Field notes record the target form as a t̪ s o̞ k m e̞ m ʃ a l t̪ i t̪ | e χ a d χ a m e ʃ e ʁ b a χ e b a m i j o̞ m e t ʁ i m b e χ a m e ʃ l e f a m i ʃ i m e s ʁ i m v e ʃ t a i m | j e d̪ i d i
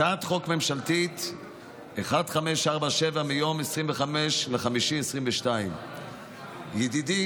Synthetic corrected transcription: a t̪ χ o̞ k m e̞ m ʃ a l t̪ i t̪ | e χ a d χ a m e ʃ a ʁ b a ʃ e v a m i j o̞ m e s ʁ i m v e χ a m e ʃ l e χ a m i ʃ i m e s ʁ i m v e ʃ t a i m | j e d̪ i d i

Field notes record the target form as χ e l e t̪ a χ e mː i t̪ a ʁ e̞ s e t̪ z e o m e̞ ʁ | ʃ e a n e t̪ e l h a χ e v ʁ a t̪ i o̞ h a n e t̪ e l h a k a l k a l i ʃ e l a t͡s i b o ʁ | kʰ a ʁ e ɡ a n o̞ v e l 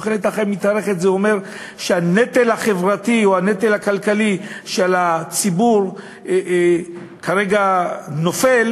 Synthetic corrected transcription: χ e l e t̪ a χ e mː i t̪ a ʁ e̞ χ e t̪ z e o m e̞ ʁ | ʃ e a n e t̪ e l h a χ e v ʁ a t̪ i o̞ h a n e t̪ e l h a k a l k a l i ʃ e l a t͡s i b u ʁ | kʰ a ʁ e ɡ a n o̞ f e l

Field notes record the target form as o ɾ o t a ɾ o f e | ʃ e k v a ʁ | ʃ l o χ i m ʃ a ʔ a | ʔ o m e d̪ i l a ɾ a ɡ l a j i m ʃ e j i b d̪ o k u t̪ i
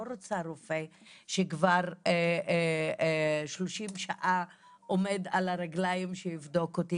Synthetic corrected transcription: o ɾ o t͡s a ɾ o f e | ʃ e k v a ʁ | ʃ l o ʃ i m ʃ a ʔ a | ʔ o m e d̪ a l a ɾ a ɡ l a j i m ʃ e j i v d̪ o k o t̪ i

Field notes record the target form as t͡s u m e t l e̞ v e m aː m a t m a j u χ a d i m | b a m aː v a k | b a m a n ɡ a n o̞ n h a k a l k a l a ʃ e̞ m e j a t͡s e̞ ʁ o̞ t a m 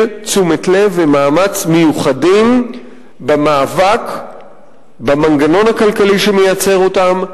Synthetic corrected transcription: t͡s u m e t l e̞ v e m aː m a t͡s m e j u χ a d i m | b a m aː v a k | b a m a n ɡ a n o̞ n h a k a l k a l i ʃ e̞ m e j a t͡s e̞ ʁ o̞ t a m

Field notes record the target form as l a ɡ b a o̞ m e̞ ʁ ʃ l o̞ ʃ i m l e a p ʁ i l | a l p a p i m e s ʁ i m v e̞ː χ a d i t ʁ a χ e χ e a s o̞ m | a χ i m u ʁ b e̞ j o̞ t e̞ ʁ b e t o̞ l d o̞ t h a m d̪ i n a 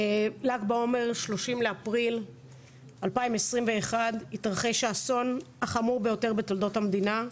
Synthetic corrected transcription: l a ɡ b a o̞ m e̞ ʁ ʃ l o̞ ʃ i m l e a p ʁ i l | a l p a i m e s ʁ i m v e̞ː χ a d i t ʁ a χ e ʃ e a s o̞ n | a χ a m u ʁ b e̞ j o̞ t e̞ ʁ b e t o̞ l d o̞ t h a m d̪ i n a

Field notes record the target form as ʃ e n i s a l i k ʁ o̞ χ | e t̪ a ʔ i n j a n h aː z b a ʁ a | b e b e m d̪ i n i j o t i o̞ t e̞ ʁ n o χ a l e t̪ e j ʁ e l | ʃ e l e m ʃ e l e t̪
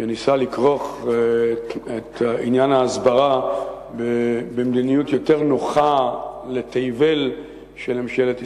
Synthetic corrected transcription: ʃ e n i s a l i k ʁ o̞ χ | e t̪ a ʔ i n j a n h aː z b a ʁ a | b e b e m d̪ i n i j u t j o̞ t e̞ ʁ n o χ a l e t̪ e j v e l | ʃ e l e m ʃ e l e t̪

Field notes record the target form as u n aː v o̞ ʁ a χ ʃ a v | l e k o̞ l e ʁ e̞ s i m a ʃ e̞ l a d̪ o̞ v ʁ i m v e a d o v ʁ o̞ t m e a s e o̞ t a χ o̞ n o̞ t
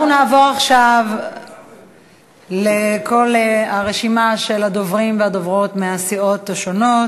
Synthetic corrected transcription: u n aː v o̞ ʁ a χ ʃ a v | l e k o̞ l a ʁ e̞ ʃ i m a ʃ e̞ l a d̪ o̞ v ʁ i m v e a d o v ʁ o̞ t m e a s i o̞ t a ʃ o̞ n o̞ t

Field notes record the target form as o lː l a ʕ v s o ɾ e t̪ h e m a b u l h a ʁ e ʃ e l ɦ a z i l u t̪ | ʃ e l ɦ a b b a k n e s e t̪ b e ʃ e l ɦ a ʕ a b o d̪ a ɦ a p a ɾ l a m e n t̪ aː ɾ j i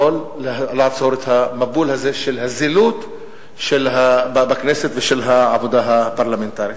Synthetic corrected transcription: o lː l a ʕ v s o ɾ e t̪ h a m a b u l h a z e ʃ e l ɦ a z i l u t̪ | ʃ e l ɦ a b b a k n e s e t̪ v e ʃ e l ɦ a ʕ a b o d̪ a ɦ a p a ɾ l a m e n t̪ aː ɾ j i

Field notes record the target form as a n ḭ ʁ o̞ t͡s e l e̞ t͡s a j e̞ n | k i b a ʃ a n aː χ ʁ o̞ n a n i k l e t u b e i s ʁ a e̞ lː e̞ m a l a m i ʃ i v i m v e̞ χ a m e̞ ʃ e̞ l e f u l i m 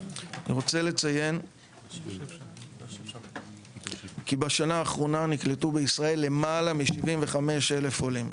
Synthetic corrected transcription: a n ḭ ʁ o̞ t͡s e l e̞ t͡s a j e̞ n | k i b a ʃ a n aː χ ʁ o̞ n a n i k l e t u b e i s ʁ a e̞ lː e̞ m a l a m i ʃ i v i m v e̞ χ a m e̞ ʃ e̞ l e f o l i m

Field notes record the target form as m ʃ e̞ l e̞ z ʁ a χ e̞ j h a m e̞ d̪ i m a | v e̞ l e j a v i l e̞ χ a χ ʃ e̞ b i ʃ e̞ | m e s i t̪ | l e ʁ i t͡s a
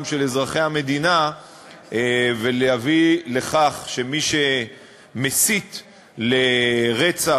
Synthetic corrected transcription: m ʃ e̞ l e̞ z ʁ a χ e̞ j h a m e̞ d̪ i n a | v e̞ l e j a v i l e̞ χ a χ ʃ e̞ m i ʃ e̞ | m e s i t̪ | l e ʁ e t͡s a

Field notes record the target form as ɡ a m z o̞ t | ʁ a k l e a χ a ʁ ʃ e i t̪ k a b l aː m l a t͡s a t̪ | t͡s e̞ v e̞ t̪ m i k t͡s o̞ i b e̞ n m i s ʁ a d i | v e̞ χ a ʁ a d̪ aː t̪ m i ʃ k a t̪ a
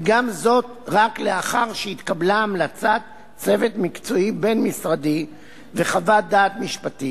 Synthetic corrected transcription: ɡ a m z o̞ t | ʁ a k l e a χ a ʁ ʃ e i t̪ k a b l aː m l a t͡s a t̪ | t͡s e̞ v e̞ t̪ m i k t͡s o̞ i b e̞ n m i s ʁ a d i | v e̞ χ a v a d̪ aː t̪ m i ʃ p a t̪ i

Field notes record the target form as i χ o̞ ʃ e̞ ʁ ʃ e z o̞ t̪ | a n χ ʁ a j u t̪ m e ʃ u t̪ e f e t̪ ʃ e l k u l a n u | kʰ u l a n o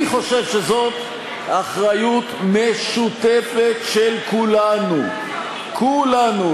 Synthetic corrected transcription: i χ o̞ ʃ e̞ v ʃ e z o̞ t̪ | a χ ʁ a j u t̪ m e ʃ u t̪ e f e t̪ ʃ e l k u l a n u | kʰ u l a n u

